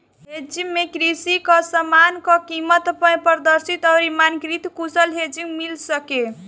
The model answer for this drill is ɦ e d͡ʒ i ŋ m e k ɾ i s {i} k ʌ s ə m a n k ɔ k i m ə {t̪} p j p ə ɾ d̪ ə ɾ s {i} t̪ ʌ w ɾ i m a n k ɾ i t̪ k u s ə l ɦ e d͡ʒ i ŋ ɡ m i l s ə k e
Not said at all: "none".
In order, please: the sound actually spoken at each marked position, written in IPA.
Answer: i, t̪, i

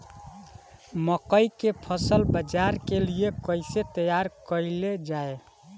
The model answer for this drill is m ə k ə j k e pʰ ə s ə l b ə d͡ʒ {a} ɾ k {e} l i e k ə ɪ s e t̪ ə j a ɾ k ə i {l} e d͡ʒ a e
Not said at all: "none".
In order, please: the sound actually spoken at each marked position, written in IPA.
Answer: a, e, l

